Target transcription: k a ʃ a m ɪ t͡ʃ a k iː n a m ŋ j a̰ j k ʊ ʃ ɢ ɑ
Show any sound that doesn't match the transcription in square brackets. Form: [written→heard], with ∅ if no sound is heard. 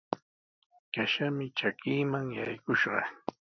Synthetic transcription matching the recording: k a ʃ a m ɪ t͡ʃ a k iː [n→m] a [m→∅] ŋ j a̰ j k ʊ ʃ ɢ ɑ